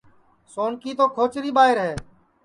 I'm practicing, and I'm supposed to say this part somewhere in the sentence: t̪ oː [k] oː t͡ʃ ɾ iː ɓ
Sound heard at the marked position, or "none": kʰ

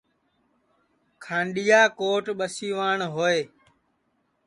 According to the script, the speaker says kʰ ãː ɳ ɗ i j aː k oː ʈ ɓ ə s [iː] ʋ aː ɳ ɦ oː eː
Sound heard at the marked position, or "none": iː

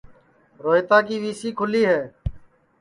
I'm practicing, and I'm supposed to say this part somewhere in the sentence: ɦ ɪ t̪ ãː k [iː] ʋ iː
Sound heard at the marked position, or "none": iː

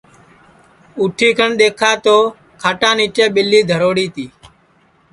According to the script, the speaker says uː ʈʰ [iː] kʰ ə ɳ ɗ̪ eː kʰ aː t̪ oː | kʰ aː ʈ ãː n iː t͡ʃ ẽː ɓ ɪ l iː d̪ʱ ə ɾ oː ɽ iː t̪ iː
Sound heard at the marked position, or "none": iː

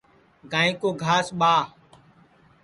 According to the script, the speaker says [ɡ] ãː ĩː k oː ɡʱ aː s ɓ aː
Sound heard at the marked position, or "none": ɡ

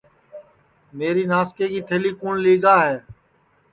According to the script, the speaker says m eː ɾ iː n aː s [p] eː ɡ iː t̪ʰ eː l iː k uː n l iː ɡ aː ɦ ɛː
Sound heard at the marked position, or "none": k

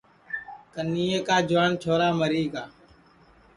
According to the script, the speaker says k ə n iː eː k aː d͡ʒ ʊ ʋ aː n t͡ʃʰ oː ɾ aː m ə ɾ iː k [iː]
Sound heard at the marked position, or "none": aː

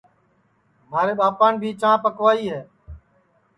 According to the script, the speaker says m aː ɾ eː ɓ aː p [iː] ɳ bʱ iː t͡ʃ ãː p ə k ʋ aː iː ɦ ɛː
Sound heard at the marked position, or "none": aː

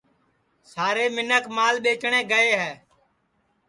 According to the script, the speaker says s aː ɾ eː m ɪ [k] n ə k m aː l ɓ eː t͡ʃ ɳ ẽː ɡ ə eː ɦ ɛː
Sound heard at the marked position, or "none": none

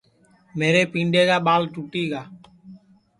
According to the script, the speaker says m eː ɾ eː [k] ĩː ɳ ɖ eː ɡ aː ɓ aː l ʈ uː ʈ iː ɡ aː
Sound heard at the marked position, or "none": p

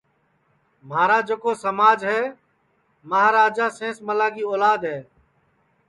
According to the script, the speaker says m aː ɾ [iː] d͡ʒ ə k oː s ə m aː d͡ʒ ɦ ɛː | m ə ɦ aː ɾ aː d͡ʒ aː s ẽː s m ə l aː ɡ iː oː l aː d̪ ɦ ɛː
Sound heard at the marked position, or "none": aː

